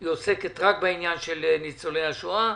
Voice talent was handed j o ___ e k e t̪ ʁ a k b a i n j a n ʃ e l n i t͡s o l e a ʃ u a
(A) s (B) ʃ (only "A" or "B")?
A